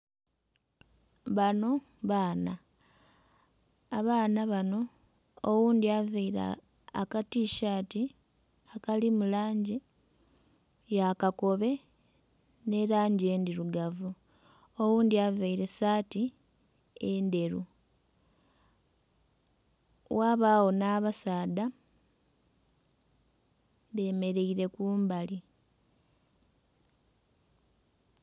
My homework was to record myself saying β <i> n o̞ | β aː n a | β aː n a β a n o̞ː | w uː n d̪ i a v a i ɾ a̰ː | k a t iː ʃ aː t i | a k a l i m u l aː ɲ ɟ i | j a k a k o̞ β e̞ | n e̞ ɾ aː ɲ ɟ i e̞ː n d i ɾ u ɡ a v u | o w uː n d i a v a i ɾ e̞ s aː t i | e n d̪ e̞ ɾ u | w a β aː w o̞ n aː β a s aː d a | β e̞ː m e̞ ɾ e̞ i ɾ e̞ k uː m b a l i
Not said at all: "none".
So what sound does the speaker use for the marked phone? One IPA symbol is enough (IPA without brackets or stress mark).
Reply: a